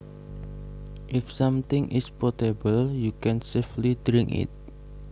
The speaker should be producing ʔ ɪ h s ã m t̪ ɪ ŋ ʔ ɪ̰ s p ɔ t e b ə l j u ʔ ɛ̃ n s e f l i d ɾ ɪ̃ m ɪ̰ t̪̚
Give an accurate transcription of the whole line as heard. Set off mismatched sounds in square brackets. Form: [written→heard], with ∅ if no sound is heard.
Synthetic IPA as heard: ʔ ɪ [h→f] s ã m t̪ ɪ ŋ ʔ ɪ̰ s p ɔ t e b ə l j u [ʔ→k] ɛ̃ n s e f l i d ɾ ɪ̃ [m→ŋ] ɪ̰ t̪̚

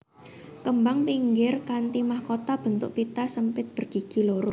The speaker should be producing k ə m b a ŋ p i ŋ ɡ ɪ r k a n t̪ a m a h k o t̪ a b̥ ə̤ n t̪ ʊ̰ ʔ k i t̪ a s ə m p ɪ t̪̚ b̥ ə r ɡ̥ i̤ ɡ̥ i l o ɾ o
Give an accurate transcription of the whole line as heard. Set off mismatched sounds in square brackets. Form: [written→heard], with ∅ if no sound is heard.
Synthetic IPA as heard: k ə m b a ŋ p i ŋ ɡ ɪ r k a n t̪ [a→i] m a h k o t̪ a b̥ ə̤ n t̪ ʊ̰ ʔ [k→p] i t̪ a s ə m p ɪ t̪̚ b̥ ə r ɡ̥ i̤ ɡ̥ i l o ɾ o

